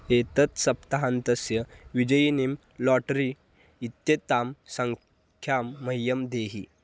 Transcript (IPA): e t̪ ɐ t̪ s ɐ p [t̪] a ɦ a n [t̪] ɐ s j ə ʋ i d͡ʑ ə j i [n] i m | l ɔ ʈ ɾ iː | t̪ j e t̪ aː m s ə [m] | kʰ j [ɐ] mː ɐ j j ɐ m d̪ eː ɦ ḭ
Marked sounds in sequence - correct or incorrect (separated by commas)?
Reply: correct, correct, correct, incorrect, incorrect